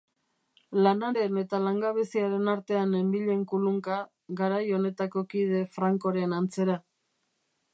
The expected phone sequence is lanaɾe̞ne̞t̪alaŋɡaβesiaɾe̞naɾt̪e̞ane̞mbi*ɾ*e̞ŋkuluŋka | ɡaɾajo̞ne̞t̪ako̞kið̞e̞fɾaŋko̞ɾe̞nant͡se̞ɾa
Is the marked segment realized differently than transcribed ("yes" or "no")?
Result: yes